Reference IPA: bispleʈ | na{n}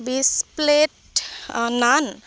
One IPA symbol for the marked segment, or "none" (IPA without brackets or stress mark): n